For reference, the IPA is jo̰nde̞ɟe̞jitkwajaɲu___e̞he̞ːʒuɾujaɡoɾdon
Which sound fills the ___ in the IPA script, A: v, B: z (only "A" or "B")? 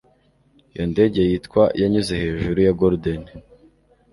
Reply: B